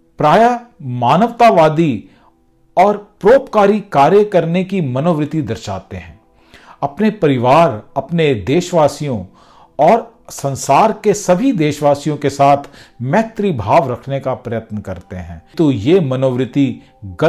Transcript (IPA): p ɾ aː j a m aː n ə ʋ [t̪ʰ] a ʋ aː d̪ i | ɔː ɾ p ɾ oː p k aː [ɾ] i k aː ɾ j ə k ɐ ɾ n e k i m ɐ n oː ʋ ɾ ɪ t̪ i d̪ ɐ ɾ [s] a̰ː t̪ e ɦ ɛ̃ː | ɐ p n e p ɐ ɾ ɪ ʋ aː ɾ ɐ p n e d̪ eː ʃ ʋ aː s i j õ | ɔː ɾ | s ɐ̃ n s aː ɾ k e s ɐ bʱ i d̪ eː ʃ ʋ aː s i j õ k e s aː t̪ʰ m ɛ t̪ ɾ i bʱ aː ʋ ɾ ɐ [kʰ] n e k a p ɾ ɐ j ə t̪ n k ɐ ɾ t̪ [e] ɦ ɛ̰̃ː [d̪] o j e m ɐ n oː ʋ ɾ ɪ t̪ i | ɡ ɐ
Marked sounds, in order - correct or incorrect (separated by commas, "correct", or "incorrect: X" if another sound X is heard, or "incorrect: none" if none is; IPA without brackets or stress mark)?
incorrect: t̪, correct, incorrect: ʃ, correct, correct, incorrect: t̪